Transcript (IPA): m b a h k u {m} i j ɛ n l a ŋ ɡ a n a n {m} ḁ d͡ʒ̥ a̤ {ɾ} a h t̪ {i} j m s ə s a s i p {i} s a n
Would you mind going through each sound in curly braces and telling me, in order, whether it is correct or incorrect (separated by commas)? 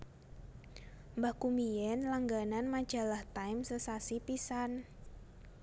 correct, correct, incorrect, incorrect, correct